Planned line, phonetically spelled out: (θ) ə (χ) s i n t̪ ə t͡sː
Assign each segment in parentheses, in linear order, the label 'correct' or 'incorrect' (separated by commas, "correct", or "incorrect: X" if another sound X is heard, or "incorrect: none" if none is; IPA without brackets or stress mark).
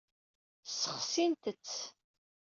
incorrect: s, correct